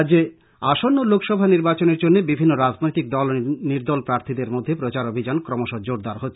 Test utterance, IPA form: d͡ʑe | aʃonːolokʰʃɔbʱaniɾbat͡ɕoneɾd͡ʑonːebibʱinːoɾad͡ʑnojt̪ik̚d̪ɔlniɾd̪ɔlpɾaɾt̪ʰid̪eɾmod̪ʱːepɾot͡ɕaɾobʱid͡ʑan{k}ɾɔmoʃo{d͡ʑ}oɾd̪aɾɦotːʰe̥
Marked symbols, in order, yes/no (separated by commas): yes, yes